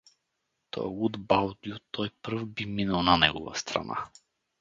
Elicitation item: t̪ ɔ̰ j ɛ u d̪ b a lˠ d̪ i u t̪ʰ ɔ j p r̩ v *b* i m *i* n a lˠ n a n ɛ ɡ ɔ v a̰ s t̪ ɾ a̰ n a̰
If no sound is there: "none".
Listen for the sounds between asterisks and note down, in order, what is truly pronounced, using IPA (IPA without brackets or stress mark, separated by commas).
b, i